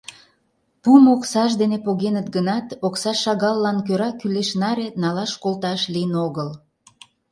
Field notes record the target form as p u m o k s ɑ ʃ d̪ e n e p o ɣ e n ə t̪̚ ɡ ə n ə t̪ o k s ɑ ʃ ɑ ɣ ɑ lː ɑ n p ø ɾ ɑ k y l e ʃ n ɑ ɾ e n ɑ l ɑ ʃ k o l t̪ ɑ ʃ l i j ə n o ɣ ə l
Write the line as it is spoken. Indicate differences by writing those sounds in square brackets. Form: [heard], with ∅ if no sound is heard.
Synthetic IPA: p u m o k s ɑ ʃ d̪ e n e p o ɣ e n ə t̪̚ ɡ ə n [ɑ] t̪ o k s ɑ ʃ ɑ ɣ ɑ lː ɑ n [k] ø ɾ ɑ k y l e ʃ n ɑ ɾ e n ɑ l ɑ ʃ k o l t̪ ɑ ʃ l i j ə n o ɣ ə l